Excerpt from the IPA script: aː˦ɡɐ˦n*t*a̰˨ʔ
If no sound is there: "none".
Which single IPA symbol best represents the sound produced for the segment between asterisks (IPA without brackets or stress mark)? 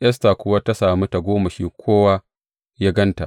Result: t